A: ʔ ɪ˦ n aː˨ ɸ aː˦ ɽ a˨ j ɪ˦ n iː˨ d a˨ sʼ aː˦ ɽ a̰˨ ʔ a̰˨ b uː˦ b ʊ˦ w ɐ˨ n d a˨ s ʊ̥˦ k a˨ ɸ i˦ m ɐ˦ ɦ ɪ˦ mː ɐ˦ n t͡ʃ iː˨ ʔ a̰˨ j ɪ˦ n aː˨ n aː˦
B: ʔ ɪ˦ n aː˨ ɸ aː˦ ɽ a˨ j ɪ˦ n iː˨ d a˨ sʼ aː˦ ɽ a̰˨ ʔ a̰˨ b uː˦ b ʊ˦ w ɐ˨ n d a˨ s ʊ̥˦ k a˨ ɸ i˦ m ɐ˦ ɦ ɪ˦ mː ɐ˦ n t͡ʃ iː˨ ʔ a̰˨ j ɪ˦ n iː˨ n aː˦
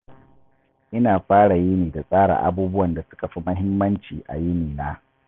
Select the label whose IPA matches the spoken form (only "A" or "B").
B